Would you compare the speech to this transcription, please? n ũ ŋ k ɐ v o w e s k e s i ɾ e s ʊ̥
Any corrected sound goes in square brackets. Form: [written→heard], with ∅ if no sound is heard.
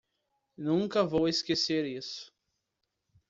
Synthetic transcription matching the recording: n ũ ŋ k ɐ v o w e s k e s [i→e] ɾ [e→i] s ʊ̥